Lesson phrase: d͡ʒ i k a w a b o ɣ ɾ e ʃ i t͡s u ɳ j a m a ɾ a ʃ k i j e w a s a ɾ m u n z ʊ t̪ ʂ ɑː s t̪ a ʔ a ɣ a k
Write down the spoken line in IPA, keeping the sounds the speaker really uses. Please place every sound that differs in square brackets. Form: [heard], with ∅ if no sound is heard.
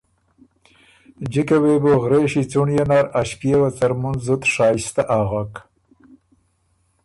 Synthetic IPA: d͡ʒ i k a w [e] b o ɣ ɾ e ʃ i t͡s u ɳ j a [n] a ɾ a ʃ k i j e w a [t͡s] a ɾ m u n z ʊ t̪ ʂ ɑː s t̪ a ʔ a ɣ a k